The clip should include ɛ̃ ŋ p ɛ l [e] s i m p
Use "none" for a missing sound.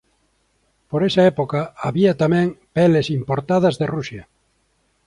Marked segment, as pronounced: e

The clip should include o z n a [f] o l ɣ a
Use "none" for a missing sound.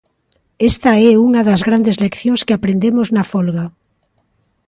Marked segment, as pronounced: f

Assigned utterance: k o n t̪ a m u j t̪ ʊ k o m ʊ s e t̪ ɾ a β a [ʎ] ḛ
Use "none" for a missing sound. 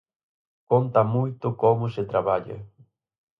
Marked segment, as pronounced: ʎ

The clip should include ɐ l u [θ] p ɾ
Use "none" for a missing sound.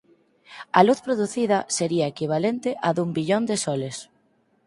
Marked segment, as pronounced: θ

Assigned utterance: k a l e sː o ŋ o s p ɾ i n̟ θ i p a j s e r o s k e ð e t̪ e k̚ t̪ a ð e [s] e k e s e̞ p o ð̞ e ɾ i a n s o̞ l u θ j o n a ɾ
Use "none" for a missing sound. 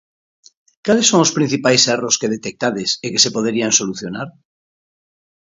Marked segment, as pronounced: s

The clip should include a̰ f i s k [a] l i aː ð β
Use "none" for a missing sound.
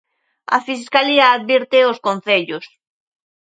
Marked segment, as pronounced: a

